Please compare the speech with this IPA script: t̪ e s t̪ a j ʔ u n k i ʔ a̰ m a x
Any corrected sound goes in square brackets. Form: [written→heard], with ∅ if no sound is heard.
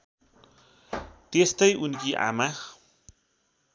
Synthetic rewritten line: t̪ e s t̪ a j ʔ u n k i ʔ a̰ m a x